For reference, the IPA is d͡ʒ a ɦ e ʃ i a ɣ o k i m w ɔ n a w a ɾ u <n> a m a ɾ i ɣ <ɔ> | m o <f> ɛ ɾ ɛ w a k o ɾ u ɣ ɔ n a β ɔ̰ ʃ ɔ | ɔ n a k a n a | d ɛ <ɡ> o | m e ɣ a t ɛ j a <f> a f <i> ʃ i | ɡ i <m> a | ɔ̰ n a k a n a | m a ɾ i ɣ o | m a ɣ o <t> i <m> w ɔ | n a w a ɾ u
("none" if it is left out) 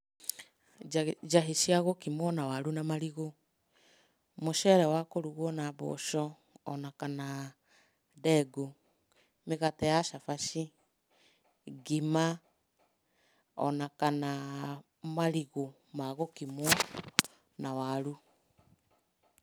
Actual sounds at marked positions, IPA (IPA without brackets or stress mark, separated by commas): n, o, ʃ, ɡ, ʃ, a, m, k, m